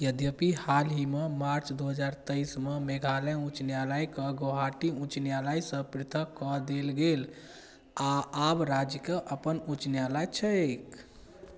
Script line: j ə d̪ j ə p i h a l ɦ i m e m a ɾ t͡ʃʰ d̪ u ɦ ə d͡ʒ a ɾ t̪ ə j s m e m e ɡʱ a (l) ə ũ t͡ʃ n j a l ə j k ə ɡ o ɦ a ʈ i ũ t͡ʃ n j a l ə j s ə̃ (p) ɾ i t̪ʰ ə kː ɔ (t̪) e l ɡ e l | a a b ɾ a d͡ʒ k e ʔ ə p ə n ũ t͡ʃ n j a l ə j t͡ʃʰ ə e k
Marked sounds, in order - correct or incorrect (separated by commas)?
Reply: correct, correct, incorrect